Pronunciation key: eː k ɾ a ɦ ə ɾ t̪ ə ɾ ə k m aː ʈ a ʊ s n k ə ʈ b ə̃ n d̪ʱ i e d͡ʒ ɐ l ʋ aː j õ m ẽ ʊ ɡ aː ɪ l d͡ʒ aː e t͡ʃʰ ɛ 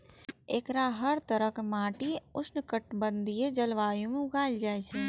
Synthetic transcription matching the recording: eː k ɾ a ɦ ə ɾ t̪ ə ɾ ə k m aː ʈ i ʊ s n k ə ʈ b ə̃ n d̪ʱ i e d͡ʒ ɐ l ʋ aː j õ m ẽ ʊ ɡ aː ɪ l d͡ʒ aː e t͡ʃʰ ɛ